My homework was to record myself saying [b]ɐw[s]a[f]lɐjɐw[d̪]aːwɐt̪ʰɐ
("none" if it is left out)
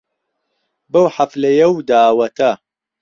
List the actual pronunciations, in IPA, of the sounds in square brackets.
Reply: b, ħ, f, d̪

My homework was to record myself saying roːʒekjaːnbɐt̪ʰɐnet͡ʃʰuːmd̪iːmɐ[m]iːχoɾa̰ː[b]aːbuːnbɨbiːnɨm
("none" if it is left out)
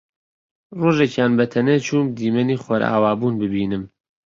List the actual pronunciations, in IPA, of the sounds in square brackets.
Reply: n, w

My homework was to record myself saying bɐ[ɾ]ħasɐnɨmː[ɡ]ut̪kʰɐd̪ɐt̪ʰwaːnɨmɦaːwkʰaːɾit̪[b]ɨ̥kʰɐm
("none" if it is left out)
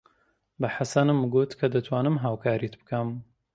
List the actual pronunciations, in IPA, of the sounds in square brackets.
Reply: none, ɡ, b

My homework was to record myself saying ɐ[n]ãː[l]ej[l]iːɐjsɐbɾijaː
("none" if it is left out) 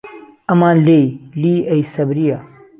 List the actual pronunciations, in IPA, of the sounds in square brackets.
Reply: m, l, l

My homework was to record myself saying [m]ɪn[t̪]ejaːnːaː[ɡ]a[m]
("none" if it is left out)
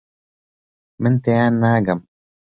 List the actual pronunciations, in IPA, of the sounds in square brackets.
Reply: m, t̪, ɡ, m

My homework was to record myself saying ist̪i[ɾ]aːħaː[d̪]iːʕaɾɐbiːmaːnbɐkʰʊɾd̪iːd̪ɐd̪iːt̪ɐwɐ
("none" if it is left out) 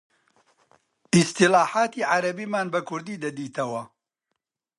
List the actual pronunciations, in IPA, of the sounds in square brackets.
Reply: l, t̪

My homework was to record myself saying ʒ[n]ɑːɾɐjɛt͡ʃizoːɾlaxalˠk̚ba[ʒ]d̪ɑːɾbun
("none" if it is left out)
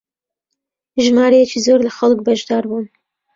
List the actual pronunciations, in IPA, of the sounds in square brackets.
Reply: m, ʒ

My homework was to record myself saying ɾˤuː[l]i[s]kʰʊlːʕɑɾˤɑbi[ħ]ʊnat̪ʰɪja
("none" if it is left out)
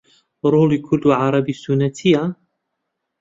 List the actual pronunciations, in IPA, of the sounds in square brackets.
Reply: l, none, s

